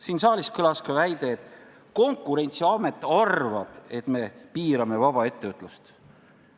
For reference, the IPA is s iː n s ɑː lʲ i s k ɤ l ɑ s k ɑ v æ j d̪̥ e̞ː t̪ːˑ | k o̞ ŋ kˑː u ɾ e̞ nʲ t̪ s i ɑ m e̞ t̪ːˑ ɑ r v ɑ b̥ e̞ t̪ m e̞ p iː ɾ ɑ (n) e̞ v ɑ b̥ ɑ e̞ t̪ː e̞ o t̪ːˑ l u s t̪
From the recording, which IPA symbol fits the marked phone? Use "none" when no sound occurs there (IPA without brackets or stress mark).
m